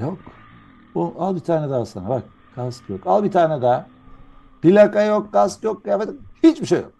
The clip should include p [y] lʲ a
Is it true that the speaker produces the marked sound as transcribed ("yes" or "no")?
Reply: no